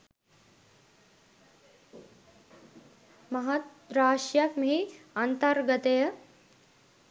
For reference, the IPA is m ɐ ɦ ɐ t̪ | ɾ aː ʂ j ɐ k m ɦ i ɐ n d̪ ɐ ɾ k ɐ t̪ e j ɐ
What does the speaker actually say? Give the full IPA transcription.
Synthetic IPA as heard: m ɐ ɦ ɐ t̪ | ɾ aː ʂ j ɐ k m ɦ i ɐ n t̪ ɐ ɾ ɡ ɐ t̪ e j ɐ